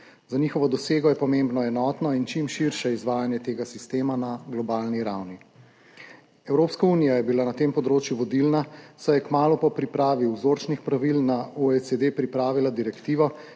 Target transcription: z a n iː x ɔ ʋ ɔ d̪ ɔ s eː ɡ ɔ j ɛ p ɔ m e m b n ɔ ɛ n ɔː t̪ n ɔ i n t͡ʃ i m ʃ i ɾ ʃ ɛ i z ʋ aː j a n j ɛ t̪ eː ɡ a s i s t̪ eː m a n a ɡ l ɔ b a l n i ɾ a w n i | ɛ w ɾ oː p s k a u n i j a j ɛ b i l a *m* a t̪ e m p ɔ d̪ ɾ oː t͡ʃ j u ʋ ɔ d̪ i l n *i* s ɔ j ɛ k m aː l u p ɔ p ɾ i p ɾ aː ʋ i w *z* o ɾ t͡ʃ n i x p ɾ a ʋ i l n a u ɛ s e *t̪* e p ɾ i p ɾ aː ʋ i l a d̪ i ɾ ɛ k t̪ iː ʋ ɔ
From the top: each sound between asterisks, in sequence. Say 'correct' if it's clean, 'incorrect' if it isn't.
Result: incorrect: n, incorrect: a, correct, incorrect: d̪

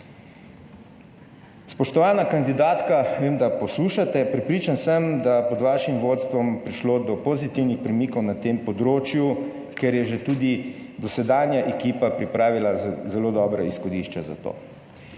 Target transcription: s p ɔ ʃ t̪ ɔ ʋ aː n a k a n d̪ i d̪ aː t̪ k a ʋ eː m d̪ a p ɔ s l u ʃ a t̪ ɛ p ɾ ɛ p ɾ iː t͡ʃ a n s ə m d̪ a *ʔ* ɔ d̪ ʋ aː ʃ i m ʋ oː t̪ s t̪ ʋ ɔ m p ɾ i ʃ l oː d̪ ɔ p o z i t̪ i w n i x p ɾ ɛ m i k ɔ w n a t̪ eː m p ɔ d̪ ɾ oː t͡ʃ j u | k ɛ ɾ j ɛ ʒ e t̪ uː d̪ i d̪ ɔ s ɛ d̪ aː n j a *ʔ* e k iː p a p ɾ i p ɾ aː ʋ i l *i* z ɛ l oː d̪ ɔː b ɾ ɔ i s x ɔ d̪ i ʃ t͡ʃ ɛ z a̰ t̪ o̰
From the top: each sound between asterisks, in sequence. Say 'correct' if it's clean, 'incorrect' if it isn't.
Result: incorrect: p, correct, incorrect: a

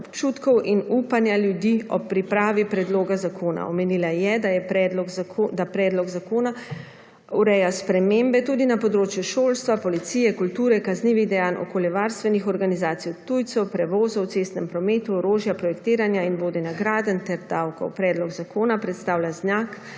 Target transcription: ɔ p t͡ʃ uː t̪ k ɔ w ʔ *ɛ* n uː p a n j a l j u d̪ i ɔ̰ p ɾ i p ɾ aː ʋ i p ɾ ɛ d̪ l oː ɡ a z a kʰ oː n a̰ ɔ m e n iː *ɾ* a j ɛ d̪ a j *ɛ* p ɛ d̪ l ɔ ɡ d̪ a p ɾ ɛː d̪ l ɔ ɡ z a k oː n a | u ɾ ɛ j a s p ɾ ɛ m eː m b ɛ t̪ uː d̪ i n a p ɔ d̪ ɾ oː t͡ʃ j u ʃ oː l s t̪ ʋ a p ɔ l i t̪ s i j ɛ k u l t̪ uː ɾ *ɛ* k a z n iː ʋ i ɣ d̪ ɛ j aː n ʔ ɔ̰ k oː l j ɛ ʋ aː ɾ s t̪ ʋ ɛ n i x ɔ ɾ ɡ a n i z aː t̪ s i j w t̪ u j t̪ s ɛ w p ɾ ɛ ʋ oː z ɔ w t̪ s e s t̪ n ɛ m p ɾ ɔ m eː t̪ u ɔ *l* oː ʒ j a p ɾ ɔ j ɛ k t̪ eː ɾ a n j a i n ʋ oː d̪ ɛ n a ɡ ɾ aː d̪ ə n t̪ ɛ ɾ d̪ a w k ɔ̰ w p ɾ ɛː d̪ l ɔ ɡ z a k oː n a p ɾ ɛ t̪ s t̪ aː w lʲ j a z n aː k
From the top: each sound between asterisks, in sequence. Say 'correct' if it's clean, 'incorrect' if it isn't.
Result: incorrect: i, incorrect: l, correct, correct, incorrect: ɾ

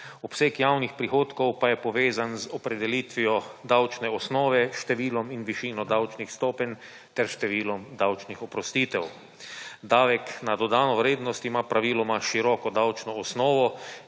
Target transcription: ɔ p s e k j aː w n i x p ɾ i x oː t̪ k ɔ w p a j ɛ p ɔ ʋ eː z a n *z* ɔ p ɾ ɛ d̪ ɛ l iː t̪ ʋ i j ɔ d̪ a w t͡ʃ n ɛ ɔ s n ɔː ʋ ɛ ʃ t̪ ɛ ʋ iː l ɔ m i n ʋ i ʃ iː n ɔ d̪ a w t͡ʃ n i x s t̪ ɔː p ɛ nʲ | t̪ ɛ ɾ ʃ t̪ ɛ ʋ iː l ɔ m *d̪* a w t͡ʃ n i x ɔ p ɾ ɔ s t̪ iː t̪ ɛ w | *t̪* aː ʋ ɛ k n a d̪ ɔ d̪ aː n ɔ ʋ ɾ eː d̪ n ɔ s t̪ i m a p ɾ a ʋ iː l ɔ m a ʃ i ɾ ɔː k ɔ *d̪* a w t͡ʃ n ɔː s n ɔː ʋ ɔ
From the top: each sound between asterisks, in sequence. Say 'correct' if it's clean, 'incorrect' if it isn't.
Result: correct, correct, incorrect: d̪, correct

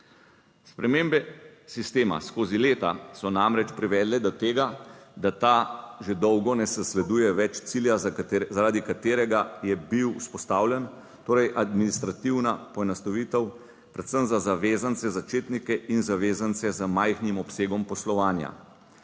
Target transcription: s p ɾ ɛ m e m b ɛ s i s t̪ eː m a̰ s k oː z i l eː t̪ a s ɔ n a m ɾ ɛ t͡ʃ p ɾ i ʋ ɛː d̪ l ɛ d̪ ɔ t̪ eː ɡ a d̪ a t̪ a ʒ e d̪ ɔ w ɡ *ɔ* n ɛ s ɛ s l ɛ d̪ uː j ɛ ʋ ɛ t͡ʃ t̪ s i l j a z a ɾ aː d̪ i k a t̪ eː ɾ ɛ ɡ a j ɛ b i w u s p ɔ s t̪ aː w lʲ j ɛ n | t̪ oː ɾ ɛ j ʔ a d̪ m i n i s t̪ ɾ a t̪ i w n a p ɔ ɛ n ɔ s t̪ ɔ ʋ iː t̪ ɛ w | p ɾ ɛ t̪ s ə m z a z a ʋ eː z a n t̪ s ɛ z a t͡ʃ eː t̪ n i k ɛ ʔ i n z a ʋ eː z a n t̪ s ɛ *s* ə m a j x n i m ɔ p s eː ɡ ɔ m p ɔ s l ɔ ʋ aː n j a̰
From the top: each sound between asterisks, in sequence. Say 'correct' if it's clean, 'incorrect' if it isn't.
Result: correct, incorrect: z

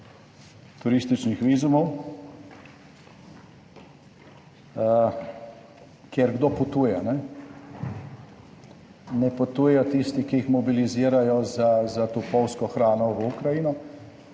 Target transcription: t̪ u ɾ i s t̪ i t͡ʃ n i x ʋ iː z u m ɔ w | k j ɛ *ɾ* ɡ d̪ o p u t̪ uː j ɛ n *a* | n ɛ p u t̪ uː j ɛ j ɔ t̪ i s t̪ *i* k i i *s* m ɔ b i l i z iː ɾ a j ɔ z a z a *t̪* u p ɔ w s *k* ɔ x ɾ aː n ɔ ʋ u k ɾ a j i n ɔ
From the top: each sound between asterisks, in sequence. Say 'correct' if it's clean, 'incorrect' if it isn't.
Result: correct, incorrect: ɛ, correct, incorrect: x, correct, correct

